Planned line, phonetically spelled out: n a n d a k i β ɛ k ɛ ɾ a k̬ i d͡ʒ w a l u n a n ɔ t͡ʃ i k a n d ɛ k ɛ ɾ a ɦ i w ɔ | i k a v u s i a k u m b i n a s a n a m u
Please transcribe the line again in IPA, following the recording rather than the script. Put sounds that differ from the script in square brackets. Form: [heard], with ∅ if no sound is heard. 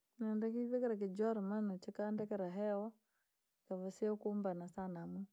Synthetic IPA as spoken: n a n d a k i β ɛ k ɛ ɾ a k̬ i d͡ʒ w a [ɾ] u [m] a n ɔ t͡ʃ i k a n d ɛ k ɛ ɾ a ɦ [ɛ] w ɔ | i k a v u s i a k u m b [a] n a s a n a m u